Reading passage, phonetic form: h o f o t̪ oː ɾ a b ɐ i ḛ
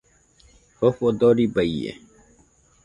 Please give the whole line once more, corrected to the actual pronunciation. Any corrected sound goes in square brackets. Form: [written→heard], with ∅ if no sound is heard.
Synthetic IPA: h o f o [t̪→d̪] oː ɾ [a→i] b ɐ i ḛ

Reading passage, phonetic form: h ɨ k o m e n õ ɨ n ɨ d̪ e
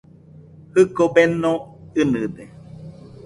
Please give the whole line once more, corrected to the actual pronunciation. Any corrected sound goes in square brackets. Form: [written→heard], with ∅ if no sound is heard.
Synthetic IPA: h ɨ k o [m→b] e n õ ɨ n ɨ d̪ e

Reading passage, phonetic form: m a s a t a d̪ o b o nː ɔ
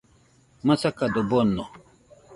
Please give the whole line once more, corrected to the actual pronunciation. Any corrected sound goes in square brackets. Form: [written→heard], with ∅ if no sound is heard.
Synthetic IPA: m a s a [t→k] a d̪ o b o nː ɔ

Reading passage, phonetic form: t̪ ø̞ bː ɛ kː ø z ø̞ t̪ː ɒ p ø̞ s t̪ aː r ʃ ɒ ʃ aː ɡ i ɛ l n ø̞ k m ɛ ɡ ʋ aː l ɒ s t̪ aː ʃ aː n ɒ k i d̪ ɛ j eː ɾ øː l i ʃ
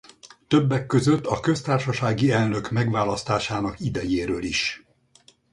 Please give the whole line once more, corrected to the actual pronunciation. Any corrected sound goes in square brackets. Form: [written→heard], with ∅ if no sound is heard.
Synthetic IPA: t̪ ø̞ bː ɛ kː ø z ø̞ t̪ː ɒ [p→k] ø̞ s t̪ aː r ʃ ɒ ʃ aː ɡ i ɛ l n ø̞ k m ɛ ɡ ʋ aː l ɒ s t̪ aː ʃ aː n ɒ k i d̪ ɛ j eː ɾ øː l i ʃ

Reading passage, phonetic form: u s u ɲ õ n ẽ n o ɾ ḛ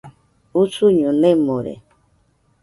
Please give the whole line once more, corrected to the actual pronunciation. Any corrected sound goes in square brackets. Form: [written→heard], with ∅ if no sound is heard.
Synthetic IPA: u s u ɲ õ n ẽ [n→m] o ɾ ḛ

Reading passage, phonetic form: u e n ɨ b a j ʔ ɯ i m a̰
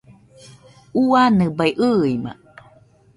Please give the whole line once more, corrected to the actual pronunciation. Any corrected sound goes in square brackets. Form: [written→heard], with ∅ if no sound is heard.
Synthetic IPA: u [e→a] n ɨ b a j ʔ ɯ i m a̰

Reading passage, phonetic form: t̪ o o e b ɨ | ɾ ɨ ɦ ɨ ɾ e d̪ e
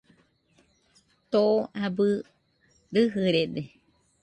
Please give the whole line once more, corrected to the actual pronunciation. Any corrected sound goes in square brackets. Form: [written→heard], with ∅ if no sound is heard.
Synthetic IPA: t̪ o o [e→a] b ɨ | ɾ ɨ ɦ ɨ ɾ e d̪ e

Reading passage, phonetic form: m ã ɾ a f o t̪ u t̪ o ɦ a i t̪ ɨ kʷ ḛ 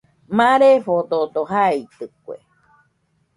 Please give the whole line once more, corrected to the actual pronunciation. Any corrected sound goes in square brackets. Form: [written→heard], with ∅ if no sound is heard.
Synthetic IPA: m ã ɾ [a→e] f o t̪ [u→o] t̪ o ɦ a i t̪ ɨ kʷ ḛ

